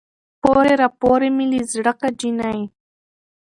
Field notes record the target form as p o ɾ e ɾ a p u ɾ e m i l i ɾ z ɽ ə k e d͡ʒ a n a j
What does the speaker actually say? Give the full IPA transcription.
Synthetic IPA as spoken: p o ɾ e ɾ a p o ɾ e m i l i z ɽ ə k a d͡ʒ i n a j